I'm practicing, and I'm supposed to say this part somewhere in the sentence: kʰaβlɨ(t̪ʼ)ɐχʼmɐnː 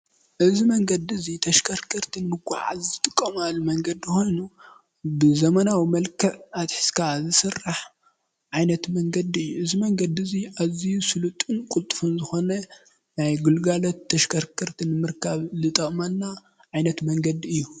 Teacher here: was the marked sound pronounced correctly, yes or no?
yes